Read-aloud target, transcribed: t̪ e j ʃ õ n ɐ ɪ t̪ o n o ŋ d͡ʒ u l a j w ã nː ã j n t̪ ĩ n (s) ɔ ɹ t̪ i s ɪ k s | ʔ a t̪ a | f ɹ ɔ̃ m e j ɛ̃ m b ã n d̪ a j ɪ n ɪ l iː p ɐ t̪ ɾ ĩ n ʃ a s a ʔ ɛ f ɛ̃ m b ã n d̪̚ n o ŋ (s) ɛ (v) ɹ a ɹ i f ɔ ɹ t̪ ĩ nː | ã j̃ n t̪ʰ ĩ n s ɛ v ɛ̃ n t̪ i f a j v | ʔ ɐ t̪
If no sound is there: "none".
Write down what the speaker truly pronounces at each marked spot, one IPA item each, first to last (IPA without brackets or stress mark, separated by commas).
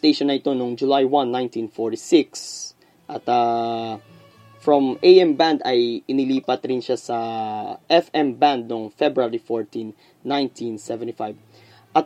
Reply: f, f, b